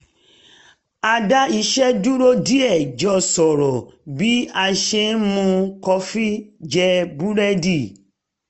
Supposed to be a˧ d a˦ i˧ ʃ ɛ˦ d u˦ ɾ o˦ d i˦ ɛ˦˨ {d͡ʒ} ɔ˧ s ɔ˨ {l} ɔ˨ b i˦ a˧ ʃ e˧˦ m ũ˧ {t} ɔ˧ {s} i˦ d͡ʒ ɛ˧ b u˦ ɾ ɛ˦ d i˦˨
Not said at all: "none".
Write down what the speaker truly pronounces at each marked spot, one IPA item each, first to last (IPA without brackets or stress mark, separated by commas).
d͡ʒ, ɾ, k, f